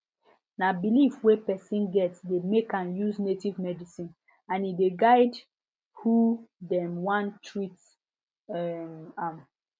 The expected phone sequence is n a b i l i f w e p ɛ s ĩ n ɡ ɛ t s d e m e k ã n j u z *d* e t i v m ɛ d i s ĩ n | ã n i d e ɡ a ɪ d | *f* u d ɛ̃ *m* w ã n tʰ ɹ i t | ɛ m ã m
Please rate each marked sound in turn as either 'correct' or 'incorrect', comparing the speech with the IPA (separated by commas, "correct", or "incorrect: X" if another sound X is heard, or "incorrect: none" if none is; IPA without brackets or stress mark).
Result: incorrect: n, incorrect: h, correct